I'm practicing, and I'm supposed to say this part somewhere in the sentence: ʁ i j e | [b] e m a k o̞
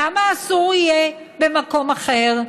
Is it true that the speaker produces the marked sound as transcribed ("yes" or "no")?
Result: yes